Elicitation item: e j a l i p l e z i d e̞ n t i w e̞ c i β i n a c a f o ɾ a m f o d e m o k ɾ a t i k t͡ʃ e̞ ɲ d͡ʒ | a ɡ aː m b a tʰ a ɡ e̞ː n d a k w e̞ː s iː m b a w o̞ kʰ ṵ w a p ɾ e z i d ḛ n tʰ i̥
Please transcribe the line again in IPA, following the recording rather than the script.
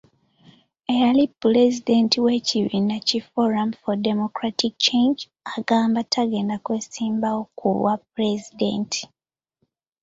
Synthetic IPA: e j a l i p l e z i d e̞ n t i w e̞ c i β i n a c i f o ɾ a m f o d e m o k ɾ a t i k t͡ʃ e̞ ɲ d͡ʒ | a ɡ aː m b a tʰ a ɡ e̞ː n d a k w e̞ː s iː m b a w o̞ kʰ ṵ w a p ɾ e z i d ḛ n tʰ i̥